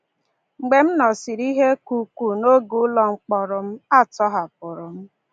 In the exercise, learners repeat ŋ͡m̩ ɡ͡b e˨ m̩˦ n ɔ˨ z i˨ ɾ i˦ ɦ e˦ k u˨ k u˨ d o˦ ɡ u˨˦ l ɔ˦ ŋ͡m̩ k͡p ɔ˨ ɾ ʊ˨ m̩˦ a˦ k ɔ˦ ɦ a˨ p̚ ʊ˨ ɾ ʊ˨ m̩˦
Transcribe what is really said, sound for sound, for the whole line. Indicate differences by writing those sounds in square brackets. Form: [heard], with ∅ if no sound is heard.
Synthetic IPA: ŋ͡m̩ ɡ͡b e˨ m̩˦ n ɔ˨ [s] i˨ ɾ i˦ ɦ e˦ k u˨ k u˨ [n] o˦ ɡ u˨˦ l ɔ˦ ŋ͡m̩ k͡p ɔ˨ ɾ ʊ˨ m̩˦ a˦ [t] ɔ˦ ɦ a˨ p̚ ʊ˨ ɾ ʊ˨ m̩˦